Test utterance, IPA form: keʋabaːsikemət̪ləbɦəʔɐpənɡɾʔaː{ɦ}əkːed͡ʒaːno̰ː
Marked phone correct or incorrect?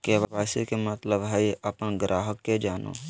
correct